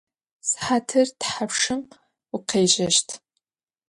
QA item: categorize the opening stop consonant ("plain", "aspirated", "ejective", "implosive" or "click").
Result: aspirated